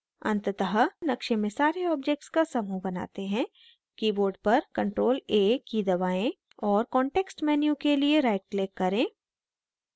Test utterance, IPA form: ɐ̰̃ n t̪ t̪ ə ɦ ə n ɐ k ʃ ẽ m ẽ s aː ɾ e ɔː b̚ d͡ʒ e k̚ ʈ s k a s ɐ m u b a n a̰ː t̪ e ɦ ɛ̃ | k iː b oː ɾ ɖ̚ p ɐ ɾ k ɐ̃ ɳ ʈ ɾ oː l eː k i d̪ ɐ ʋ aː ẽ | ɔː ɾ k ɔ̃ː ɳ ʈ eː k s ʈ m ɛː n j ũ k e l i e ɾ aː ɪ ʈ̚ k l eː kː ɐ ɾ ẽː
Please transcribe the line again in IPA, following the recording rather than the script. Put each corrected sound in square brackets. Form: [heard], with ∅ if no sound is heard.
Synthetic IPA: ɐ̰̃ n t̪ t̪ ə ɦ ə n ɐ k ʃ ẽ m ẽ s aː ɾ e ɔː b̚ d͡ʒ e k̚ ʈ s k a s ɐ m u b [ɐ] n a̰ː t̪ e ɦ ɛ̃ | k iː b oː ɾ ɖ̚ p ɐ ɾ k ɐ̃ ɳ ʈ ɾ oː l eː k i d̪ ɐ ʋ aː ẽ | ɔː ɾ k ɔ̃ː ɳ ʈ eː k s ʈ m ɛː n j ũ k e l i e ɾ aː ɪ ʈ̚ k l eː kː ɐ ɾ ẽː